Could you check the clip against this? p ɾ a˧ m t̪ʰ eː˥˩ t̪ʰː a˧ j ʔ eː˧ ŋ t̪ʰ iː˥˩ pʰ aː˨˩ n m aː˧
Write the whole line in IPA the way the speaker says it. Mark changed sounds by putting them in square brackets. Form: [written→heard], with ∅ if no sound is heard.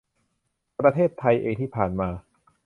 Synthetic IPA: p ɾ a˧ [m→∅] t̪ʰ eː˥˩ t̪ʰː a˧ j ʔ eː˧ ŋ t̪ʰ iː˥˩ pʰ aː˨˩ n m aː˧